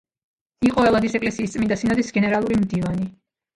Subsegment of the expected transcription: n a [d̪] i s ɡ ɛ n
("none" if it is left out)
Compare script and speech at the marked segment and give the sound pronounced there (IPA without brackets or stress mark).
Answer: d̪